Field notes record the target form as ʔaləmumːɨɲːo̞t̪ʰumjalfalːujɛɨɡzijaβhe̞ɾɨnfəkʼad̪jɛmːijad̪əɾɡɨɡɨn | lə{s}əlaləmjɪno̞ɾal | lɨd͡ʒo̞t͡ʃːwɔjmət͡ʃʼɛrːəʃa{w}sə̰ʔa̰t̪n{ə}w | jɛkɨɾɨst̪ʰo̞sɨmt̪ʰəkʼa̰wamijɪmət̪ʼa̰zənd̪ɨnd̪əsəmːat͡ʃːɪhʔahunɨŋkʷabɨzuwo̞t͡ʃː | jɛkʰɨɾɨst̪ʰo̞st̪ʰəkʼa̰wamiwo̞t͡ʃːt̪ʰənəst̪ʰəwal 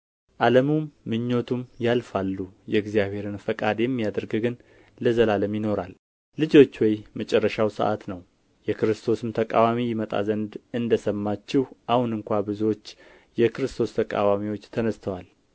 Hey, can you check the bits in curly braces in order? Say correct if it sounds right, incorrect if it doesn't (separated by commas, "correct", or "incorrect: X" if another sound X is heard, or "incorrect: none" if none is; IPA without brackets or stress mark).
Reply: incorrect: z, correct, correct